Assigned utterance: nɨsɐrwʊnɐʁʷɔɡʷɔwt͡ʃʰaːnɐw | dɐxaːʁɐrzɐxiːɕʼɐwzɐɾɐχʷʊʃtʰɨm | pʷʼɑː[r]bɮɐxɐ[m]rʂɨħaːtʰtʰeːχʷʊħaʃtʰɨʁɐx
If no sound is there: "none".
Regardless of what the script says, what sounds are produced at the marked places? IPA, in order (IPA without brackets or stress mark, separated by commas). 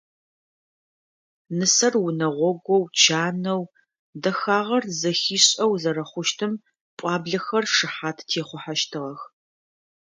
none, none